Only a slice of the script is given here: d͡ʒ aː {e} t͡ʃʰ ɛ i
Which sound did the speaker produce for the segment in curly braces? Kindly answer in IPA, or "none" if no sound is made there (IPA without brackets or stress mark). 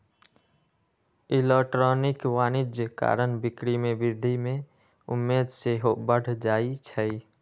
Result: i